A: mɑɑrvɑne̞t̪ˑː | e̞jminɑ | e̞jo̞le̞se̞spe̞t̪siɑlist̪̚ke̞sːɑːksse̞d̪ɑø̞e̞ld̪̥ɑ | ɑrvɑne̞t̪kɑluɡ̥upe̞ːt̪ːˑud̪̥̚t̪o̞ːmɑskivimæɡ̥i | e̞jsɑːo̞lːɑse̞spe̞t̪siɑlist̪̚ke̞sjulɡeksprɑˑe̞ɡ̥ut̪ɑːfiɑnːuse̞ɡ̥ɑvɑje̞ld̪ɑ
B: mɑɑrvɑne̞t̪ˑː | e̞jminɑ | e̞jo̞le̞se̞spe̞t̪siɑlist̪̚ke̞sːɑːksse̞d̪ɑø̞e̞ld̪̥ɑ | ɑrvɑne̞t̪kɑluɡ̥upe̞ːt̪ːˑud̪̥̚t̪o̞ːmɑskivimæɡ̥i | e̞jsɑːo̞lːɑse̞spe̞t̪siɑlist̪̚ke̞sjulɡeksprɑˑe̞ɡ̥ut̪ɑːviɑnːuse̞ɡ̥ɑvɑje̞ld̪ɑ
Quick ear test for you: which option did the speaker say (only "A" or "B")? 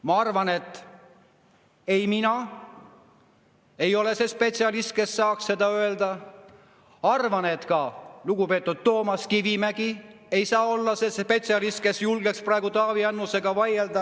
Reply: B